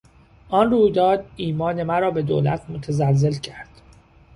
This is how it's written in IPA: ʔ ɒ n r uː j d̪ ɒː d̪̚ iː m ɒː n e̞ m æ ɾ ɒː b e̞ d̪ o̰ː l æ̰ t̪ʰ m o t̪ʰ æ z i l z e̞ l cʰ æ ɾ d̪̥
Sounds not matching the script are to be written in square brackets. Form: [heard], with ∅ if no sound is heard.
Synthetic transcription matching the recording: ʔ ɒ n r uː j d̪ ɒː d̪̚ iː m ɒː n e̞ m æ ɾ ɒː b e̞ d̪ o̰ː l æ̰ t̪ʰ m o t̪ʰ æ z [æ] l z e̞ l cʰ æ ɾ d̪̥